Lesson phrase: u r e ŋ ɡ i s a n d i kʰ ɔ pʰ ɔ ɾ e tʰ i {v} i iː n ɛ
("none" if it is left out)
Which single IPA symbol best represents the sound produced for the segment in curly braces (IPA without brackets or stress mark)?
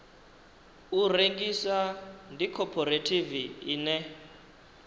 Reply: v